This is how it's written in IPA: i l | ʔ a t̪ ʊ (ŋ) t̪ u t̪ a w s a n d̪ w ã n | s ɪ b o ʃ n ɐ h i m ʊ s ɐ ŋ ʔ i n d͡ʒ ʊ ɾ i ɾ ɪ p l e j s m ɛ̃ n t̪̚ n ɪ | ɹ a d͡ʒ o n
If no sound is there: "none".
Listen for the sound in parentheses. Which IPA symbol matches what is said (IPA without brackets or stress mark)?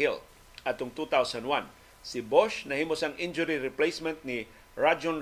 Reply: ŋ